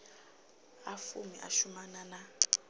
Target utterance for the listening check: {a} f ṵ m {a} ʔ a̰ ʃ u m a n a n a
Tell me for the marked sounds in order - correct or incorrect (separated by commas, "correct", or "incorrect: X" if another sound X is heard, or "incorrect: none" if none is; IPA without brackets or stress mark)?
correct, incorrect: i